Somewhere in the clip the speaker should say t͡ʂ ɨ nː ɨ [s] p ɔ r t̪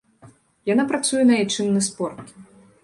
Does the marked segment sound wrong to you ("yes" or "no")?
no